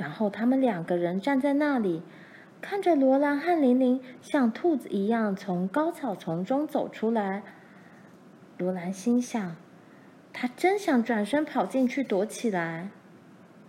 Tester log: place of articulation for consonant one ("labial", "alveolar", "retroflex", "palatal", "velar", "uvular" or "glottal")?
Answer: retroflex